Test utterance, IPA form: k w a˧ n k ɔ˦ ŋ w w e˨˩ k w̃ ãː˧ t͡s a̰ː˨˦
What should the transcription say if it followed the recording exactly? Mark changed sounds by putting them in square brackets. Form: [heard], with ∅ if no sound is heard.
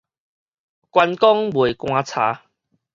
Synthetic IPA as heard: k w a˧ n k ɔ˦ ŋ [b] w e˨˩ k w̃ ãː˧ [t͡sʰ] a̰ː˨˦